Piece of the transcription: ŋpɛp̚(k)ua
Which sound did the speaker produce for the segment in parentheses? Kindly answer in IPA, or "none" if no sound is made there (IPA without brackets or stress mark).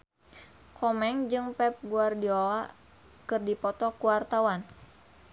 ɡ